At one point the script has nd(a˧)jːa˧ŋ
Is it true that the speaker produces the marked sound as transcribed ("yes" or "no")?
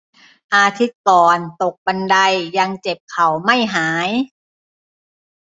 yes